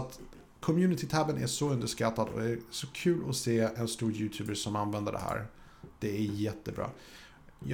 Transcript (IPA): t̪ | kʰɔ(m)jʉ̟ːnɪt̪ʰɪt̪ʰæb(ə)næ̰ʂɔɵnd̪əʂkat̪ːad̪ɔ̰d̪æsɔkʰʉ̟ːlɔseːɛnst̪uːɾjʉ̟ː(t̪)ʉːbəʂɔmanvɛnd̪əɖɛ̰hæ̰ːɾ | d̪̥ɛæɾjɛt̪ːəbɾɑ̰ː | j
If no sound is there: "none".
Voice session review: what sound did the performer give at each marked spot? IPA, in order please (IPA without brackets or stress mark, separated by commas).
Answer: m, ə, t̪ʰ